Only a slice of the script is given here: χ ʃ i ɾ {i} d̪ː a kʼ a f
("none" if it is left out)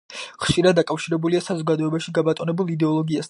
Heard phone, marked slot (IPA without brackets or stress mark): a